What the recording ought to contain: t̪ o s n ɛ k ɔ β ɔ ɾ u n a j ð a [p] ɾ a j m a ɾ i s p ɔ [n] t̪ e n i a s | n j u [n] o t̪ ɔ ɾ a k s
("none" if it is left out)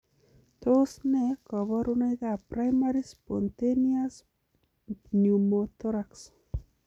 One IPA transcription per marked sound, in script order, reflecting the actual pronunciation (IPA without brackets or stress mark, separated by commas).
p, n, m